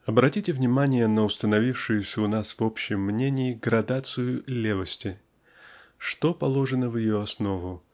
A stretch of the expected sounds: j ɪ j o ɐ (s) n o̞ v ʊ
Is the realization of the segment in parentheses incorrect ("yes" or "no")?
no